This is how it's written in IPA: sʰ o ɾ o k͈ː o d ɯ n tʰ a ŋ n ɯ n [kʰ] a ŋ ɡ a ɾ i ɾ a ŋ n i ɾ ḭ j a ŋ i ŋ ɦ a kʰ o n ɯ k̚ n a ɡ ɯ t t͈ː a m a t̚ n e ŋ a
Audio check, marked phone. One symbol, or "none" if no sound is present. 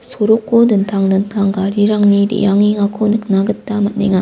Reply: tʰ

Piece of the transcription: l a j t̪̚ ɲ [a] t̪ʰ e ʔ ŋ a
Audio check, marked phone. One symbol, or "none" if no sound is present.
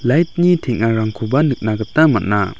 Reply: i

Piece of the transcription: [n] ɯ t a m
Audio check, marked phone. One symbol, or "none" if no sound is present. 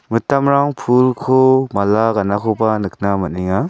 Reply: m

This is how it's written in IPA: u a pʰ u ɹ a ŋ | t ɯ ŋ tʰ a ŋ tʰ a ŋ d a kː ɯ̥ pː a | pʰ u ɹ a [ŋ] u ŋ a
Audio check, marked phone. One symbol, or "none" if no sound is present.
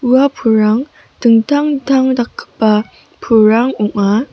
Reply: ŋ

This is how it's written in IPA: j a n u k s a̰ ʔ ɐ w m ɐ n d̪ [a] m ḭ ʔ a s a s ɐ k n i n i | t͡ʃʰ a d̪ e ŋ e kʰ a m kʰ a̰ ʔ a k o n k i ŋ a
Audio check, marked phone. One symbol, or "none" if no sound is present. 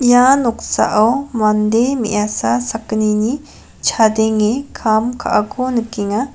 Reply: e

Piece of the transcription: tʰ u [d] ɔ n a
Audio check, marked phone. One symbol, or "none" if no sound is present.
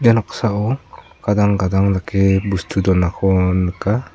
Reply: d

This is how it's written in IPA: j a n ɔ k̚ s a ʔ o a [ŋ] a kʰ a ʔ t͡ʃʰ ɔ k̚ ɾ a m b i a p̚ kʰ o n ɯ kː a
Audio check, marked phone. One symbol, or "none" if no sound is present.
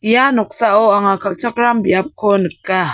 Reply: ŋ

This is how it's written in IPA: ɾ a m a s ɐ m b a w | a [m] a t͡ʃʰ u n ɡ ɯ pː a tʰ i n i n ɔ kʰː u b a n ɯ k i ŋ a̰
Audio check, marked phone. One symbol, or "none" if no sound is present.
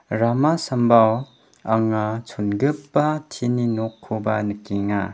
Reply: ŋ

